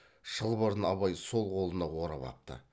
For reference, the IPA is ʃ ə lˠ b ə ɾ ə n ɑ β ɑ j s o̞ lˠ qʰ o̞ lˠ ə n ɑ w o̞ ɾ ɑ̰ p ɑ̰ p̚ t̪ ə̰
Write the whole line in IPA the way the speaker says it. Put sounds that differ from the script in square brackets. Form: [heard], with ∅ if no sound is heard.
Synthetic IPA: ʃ ə lˠ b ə ɾ ə n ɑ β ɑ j s o̞ lˠ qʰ o̞ lˠ ə n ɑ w o̞ ɾ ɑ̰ p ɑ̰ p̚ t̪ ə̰